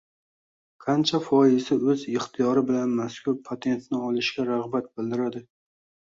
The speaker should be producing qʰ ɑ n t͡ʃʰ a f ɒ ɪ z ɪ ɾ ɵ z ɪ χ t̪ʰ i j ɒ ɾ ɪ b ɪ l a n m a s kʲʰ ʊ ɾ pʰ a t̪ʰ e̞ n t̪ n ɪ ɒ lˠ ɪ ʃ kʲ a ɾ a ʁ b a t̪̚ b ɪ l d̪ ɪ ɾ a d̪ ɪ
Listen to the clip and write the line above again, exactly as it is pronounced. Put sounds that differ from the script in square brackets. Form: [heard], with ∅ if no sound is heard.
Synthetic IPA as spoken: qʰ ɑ n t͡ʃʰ a f ɒ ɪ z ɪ [∅] ɵ z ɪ χ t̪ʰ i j ɒ ɾ ɪ b ɪ l a n m a s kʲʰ ʊ ɾ pʰ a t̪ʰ e̞ n t̪ n ɪ ɒ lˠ ɪ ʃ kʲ a ɾ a ʁ b a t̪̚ b ɪ l d̪ ɪ ɾ a d̪ ɪ

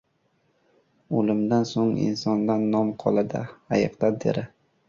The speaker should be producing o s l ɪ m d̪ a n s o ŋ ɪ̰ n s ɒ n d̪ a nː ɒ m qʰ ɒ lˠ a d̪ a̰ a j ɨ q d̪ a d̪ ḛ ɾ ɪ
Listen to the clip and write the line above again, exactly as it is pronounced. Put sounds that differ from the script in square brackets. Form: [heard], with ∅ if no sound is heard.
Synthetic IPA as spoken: o [∅] l ɪ m d̪ a n s o ŋ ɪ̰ n s ɒ n d̪ a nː ɒ m qʰ ɒ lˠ a d̪ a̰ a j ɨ q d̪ a d̪ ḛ ɾ ɪ

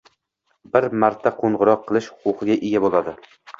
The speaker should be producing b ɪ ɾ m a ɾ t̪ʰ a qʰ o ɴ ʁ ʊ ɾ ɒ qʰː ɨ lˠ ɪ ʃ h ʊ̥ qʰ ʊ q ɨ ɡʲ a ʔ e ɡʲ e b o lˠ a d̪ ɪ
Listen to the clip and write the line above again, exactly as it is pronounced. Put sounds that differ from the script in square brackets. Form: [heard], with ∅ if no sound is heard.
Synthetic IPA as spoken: b ɪ ɾ m a ɾ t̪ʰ a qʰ o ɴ ʁ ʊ ɾ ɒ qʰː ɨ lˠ ɪ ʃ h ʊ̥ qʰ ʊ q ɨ ɡʲ a ʔ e ɡʲ [a] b o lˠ a d̪ ɪ

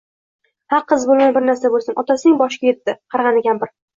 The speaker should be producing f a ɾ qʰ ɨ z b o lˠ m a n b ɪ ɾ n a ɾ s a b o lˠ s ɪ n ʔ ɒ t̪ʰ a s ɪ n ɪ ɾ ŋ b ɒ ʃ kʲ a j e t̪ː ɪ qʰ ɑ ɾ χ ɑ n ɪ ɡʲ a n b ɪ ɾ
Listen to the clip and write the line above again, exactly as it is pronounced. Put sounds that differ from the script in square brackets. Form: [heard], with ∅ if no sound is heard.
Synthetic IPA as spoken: [h] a ɾ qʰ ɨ z b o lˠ m a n b ɪ ɾ n a ɾ s a b o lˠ s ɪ n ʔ ɒ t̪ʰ a s ɪ n ɪ [∅] ŋ b ɒ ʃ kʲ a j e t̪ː ɪ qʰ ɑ ɾ [ʁ] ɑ n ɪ ɡʲ a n b ɪ ɾ

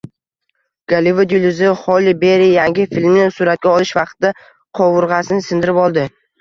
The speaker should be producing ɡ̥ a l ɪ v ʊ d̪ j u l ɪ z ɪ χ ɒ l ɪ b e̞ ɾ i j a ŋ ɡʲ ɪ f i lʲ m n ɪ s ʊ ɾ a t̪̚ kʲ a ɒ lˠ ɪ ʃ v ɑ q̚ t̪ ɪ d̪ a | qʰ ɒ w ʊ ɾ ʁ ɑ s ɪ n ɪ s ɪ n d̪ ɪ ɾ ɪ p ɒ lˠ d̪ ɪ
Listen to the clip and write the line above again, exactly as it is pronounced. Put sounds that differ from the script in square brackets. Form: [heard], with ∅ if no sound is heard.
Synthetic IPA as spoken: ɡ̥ a l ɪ v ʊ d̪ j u l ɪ z ɪ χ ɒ l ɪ b e̞ ɾ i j a ŋ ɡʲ ɪ f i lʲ m n ɪ s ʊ ɾ a t̪̚ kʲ a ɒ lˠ ɪ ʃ v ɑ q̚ t̪ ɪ d̪ a | qʰ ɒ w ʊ ɾ ʁ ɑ s ɪ n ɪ s ɪ n d̪ ɪ ɾ ɪ p ɒ lˠ d̪ ɪ

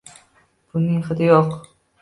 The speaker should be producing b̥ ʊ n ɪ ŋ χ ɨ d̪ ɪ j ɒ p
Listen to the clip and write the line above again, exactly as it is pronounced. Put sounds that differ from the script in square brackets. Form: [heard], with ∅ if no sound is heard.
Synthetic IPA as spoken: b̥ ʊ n ɪ ŋ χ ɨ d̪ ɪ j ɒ [q]

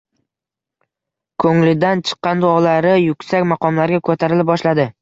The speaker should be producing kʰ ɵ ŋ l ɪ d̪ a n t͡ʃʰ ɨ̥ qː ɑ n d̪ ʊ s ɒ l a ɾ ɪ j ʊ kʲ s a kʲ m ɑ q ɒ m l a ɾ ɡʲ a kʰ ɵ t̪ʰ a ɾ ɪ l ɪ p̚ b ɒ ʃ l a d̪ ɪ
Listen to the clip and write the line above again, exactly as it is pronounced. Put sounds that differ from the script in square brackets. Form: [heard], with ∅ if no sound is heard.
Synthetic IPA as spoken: kʰ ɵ ŋ l ɪ d̪ a n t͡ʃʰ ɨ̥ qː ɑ n d̪ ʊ [∅] ɒ l a ɾ ɪ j ʊ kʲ s a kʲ m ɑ q ɒ m l a ɾ ɡʲ a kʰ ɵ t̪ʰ a ɾ ɪ l ɪ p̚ b ɒ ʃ l a d̪ ɪ

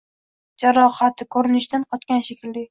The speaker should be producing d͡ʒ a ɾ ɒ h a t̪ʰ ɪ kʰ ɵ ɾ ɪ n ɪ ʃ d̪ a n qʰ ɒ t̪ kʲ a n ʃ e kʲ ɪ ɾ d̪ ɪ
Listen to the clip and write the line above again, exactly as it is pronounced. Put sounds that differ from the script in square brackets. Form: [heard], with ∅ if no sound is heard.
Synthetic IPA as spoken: d͡ʒ a ɾ ɒ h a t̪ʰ ɪ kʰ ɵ ɾ ɪ n ɪ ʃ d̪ a n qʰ ɒ t̪ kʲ a n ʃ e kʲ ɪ [l] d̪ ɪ

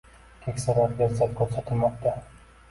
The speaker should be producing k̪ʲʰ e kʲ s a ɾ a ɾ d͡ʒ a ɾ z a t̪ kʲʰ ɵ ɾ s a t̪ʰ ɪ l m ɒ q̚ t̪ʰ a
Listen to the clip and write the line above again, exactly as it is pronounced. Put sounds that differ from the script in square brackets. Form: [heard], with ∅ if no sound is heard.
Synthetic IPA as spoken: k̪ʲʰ e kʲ s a ɾ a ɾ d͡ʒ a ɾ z a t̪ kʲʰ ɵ ɾ s a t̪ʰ ɪ l m ɒ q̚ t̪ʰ a

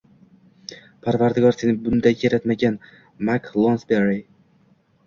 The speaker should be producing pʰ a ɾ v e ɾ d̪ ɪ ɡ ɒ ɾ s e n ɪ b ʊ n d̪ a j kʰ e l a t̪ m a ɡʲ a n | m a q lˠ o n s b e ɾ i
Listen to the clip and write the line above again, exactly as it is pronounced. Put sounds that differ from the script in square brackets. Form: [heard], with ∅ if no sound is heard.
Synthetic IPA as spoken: pʰ a ɾ v [a] ɾ d̪ ɪ ɡ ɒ ɾ s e n ɪ b ʊ n d̪ a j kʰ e [ɾ] a t̪ m a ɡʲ a n | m a [k] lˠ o n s b e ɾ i

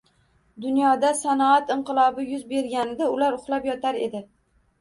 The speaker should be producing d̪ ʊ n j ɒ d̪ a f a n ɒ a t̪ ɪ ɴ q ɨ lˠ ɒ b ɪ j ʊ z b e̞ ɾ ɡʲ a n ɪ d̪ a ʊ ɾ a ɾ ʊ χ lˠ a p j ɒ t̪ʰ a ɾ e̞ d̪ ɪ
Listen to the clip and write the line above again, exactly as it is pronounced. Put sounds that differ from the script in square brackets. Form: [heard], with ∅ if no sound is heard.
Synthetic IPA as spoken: d̪ ʊ n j ɒ d̪ a [s] a n ɒ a t̪ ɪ ɴ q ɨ lˠ ɒ b ɪ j ʊ z b e̞ ɾ ɡʲ a n ɪ d̪ a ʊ [l] a ɾ ʊ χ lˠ a p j ɒ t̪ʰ a ɾ e̞ d̪ ɪ

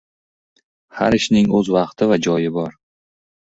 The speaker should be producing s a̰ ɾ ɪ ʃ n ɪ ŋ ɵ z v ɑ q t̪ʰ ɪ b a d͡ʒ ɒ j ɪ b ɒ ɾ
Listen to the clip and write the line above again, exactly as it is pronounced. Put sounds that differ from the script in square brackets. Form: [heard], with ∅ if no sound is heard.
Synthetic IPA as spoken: [h] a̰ ɾ ɪ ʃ n ɪ ŋ ɵ z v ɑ q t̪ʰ ɪ [v] a d͡ʒ ɒ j ɪ b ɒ ɾ

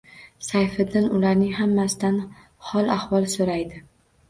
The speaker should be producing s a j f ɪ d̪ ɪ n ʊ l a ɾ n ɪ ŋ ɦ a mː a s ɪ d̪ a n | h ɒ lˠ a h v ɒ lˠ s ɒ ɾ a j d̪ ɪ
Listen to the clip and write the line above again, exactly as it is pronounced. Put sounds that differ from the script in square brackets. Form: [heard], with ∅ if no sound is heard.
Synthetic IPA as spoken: s a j f ɪ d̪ ɪ n ʊ l a ɾ n ɪ ŋ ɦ a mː a s ɪ d̪ a n | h ɒ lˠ a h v ɒ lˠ s [o] ɾ a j d̪ ɪ

